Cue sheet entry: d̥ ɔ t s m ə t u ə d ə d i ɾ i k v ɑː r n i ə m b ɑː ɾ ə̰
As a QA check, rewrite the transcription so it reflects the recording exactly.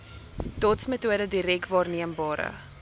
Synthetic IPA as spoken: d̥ ɔ t s m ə t u ə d ə d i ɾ ɛ k v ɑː r n i ə m b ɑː ɾ ə̰